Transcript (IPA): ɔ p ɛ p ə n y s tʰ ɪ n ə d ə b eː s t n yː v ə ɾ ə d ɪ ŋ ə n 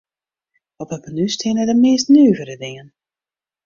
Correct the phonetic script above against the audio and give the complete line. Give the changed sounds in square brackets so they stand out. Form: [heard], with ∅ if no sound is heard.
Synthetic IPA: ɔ p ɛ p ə n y s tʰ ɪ n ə d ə [m] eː s t n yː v ə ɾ ə d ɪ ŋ ə n